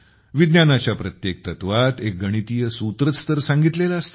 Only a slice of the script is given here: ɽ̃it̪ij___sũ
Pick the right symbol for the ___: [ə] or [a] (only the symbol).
ə